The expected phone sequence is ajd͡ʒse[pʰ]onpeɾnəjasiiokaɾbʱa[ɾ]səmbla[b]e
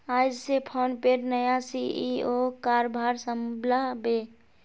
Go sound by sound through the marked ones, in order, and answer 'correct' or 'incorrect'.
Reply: correct, correct, correct

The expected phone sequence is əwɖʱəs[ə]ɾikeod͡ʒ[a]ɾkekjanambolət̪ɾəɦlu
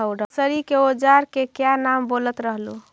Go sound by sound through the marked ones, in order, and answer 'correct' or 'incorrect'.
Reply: correct, correct

